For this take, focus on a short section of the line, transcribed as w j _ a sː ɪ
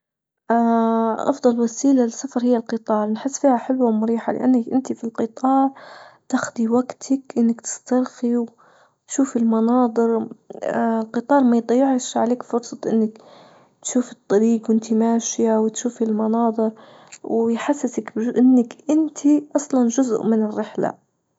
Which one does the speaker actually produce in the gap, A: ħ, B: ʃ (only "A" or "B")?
A